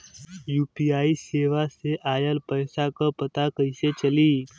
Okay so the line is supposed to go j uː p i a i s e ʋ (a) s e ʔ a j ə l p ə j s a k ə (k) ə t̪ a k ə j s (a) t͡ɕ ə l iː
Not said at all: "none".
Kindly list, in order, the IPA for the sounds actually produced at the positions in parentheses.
a, p, e

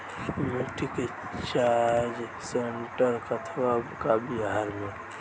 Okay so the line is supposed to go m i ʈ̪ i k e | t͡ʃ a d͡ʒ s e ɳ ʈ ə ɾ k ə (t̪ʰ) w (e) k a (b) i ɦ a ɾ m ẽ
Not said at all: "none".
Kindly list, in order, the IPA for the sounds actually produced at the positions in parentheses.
t̪ʰ, a, b

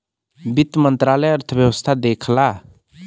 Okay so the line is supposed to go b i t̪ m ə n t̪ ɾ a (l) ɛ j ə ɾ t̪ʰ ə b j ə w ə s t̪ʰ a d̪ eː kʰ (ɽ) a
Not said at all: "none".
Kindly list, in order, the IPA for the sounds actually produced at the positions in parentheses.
l, l

